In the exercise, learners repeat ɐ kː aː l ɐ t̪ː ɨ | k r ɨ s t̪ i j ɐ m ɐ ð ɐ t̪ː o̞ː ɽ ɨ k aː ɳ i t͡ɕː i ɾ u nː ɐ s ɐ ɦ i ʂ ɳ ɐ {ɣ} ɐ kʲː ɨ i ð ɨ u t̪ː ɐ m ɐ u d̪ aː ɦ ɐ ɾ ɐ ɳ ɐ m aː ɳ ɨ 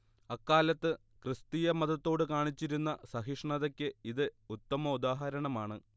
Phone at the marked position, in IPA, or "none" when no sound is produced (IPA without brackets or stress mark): ð